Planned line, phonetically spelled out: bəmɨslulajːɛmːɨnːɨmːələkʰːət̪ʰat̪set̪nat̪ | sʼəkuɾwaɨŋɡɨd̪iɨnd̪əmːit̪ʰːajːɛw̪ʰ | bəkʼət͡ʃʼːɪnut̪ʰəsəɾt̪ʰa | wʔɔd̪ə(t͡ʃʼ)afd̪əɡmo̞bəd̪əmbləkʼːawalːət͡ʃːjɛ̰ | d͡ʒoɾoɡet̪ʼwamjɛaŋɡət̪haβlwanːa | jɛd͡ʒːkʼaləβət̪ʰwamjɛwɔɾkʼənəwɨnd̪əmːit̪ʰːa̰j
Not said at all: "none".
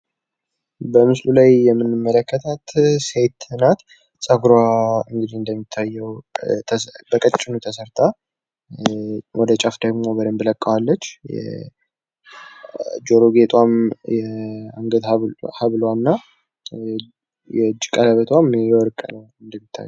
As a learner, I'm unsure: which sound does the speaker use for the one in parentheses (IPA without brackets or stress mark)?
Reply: t͡ʃʼ